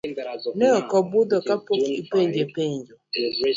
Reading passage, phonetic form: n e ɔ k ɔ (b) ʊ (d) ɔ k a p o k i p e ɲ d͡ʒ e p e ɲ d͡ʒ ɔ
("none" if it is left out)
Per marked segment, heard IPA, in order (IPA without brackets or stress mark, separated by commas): b, d